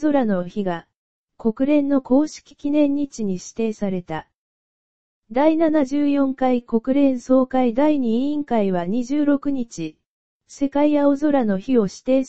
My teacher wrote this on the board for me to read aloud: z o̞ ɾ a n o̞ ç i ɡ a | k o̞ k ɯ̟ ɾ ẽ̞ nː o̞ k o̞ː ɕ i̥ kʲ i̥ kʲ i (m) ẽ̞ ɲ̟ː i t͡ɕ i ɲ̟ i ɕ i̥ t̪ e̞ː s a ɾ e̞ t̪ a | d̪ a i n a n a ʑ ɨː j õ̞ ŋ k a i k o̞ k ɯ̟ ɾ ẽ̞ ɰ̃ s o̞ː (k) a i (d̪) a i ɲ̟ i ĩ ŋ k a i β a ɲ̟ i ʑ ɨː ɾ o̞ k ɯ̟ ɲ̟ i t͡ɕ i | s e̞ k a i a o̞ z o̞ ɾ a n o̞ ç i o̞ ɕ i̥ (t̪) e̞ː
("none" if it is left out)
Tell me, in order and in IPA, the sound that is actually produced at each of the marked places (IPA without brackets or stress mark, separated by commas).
n, k, d̪, t̪